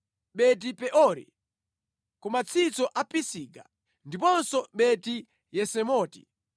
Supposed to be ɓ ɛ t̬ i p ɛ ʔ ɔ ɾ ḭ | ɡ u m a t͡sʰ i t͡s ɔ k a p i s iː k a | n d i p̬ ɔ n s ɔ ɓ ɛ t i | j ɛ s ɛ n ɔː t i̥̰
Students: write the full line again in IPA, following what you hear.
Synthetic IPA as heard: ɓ ɛ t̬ i p ɛ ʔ ɔ ɾ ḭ | k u m a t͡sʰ i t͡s ɔ ʔ a p i s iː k a | n d i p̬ ɔ n s ɔ ɓ ɛ t i | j ɛ s ɛ m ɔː t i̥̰

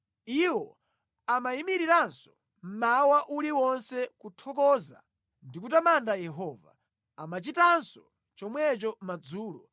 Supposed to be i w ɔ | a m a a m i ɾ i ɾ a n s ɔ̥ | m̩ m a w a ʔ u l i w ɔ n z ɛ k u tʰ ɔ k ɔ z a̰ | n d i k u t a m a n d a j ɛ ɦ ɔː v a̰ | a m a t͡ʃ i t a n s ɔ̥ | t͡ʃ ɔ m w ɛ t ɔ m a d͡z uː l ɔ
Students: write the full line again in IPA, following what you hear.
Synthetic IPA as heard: i w ɔ | a m a i m i ɾ i ɾ a n s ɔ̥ | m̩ m a w a ʔ u l i w ɔ n s ɛ k u tʰ ɔ k ɔ z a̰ | n d i k u t a m a n d a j ɛ ɦ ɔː v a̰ | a m a t͡ʃ i t a n s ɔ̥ | t͡ʃ ɔ m w ɛ t͡ʃ ɔ m a d͡z uː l ɔ

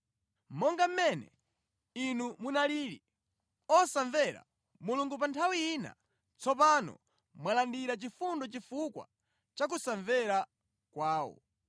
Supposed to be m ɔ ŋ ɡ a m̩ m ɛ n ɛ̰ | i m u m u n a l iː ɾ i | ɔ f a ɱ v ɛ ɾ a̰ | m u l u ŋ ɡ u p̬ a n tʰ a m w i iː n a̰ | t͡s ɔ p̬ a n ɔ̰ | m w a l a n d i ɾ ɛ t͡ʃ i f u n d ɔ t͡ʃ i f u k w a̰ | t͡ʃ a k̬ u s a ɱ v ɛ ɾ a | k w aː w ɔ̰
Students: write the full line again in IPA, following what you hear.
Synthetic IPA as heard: m ɔ ŋ ɡ a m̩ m ɛ n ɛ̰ | i n u m u n a l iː ɾ i | ɔ s a ɱ v ɛ ɾ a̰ | m u l u ŋ ɡ u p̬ a n tʰ a w i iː n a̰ | t͡s ɔ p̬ a n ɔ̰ | m w a l a n d i ɾ a t͡ʃ i f u n d ɔ t͡ʃ i f u k w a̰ | t͡ʃ a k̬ u s a ɱ v ɛ ɾ a | k w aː w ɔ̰

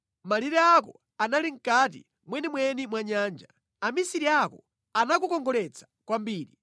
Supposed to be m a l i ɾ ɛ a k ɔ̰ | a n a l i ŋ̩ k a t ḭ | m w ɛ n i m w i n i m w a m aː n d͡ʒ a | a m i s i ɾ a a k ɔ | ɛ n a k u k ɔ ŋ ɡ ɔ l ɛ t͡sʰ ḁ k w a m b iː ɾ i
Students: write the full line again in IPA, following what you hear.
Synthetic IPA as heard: m a l i ɾ ɛ a k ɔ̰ | a n a l i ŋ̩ k a t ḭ | m w ɛ n i m w ɛ n i m w a ɲ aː n d͡ʒ a | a m i s i ɾ i a k ɔ | a n a k u k ɔ ŋ ɡ ɔ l ɛ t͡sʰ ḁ k w a m b iː ɾ i

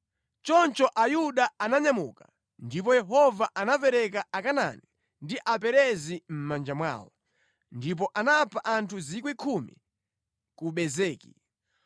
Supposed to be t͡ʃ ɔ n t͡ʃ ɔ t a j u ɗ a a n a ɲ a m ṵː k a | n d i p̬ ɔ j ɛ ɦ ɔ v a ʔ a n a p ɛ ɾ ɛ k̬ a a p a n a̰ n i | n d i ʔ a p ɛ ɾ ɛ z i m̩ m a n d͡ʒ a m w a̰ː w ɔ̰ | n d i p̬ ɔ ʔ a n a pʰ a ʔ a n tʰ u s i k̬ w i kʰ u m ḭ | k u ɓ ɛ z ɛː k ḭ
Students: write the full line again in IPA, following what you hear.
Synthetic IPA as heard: t͡ʃ ɔ n t͡ʃ ɔ ʔ a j u ɗ a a n a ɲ a m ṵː k a | n d i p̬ ɔ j ɛ ɦ ɔ v a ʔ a n a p ɛ ɾ ɛ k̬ a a k a n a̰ n i | n d i ʔ a p ɛ ɾ ɛ z i m̩ m a n d͡ʒ a m w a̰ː w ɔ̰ | n d i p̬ ɔ ʔ a n a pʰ a ʔ a n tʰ u z i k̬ w i kʰ u m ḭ | k u ɓ ɛ z ɛː k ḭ

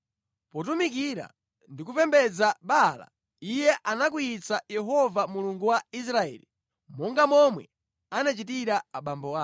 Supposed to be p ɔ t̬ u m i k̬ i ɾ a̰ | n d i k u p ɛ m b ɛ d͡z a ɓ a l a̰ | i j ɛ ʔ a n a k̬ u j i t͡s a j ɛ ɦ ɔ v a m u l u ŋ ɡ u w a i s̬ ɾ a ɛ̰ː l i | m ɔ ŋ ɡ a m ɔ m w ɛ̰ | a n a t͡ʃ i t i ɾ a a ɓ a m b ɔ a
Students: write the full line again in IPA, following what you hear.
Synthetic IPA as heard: p ɔ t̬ u m i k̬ i ɾ a̰ | n d i k u p ɛ m b ɛ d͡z a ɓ a l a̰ | i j ɛ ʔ a n a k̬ u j i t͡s a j ɛ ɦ ɔ v a m u l u ŋ ɡ u w a i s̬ ɾ a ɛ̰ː l i | m ɔ ŋ ɡ a m ɔ m w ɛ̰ | a n a t͡ʃ i t i ɾ a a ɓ a m b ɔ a

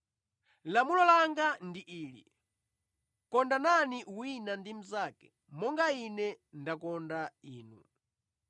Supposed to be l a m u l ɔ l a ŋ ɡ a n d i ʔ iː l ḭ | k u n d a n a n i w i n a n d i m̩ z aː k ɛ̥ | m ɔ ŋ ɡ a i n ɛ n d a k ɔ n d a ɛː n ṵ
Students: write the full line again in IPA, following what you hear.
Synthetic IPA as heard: l a m u l ɔ l a ŋ ɡ a n d i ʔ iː l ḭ | k ɔ n d a n a n i w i n a n d i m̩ z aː k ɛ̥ | m ɔ ŋ ɡ a i n ɛ n d a k ɔ n d a iː n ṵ

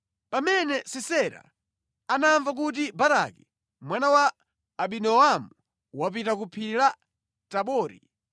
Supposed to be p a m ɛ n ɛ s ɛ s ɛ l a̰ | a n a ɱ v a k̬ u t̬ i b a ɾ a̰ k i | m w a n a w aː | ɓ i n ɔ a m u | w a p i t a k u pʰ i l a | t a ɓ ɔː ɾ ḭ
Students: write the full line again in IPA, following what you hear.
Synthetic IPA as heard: p a m ɛ n ɛ s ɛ s ɛ ɾ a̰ | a n a ɱ v a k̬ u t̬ i b a ɾ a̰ k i | m w a n a w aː | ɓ i n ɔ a m u | w a p i t a k u pʰ i l a | t a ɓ ɔː ɾ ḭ

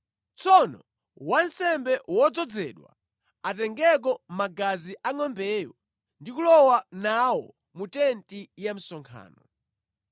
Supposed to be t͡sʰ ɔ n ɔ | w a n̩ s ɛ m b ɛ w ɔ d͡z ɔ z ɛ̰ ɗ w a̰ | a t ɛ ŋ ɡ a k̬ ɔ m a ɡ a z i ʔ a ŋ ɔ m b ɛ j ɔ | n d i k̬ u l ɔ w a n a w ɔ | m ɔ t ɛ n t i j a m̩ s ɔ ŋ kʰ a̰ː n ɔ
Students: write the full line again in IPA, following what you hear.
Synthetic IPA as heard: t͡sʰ ɔ n ɔ | w a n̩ s ɛ m b ɛ w ɔ d͡z ɔ d͡z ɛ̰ ɗ w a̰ | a t ɛ ŋ ɡ ɛ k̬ ɔ m a ɡ a z i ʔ a ŋ ɔ m b ɛ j ɔ | n d i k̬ u l ɔ w a n a w ɔ | m u t ɛ n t i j a m̩ s ɔ ŋ kʰ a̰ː n ɔ

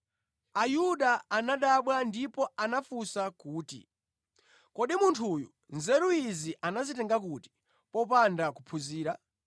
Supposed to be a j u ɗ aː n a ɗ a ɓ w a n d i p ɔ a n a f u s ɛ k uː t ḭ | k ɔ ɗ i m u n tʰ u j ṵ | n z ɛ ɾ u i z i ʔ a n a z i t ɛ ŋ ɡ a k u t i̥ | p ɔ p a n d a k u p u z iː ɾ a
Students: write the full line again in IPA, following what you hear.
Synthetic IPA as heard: a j u ɗ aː n a ɗ a ɓ w a n d i p ɔ a n a f u s a k uː t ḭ | k ɔ ɗ i m u n tʰ u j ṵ | n z ɛ ɾ u i z i ʔ a n a z i t ɛ ŋ ɡ a k u t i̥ | p ɔ p a n d a k u pʰ u z iː ɾ a

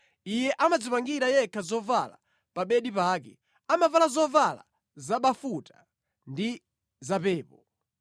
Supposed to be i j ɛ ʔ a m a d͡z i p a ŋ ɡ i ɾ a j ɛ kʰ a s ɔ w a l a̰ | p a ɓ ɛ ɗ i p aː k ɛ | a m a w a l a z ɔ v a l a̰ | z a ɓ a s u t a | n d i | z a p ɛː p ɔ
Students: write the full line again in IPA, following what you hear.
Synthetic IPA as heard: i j ɛ ʔ a m a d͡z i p a ŋ ɡ i ɾ a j ɛ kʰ a z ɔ v a l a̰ | p a ɓ ɛ ɗ i p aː k ɛ | a m a v a l a z ɔ v a l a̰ | z a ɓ a f u t a | n d i | z a p ɛː p ɔ

